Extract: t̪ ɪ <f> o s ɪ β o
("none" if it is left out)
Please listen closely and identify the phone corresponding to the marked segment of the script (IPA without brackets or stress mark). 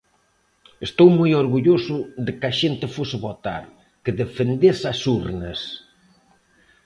f